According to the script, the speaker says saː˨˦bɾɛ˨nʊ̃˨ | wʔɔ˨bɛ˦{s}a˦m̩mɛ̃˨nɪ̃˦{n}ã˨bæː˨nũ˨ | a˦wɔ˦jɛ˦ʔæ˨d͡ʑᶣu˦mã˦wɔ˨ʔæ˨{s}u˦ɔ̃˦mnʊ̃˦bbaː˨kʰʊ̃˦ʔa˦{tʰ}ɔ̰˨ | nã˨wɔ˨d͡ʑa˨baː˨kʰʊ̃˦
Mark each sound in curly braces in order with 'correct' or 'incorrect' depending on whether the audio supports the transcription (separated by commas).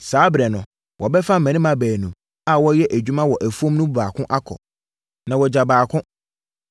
incorrect, incorrect, incorrect, incorrect